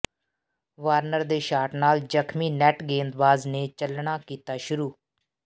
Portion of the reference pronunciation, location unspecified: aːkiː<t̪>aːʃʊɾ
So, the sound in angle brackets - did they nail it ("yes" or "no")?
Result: yes